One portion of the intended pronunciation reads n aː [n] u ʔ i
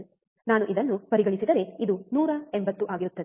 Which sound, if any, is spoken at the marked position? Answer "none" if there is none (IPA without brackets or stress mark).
n